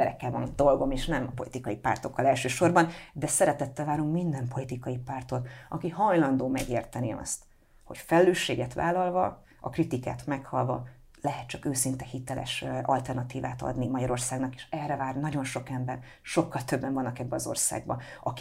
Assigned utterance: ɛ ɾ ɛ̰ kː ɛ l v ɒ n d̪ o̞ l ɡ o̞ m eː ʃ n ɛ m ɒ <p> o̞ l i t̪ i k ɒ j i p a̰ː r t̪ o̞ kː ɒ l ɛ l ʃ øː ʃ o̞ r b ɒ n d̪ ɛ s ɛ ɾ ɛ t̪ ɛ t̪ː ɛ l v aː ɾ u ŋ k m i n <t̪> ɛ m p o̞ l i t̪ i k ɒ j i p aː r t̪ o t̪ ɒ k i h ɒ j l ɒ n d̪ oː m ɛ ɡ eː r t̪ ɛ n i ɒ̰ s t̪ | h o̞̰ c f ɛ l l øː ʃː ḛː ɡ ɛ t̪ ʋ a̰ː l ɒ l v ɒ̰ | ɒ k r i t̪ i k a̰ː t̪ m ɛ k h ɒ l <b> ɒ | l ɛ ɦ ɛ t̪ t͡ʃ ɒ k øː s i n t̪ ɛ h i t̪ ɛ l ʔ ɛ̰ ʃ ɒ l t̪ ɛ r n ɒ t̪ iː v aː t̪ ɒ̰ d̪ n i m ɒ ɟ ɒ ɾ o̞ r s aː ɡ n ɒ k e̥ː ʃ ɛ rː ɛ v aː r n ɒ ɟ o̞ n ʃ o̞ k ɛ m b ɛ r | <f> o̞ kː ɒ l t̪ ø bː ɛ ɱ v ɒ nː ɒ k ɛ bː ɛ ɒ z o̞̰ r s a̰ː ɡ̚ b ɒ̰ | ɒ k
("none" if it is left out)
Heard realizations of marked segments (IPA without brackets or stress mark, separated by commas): p, d̪, v, ʃ